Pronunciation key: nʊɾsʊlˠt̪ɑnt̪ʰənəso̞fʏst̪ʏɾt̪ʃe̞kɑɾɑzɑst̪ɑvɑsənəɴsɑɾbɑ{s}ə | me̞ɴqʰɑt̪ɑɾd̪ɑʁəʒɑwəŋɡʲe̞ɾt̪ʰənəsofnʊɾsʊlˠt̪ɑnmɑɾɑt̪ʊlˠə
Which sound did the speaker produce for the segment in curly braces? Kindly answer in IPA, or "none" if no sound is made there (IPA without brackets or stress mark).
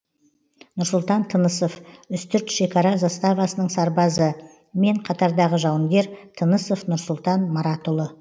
z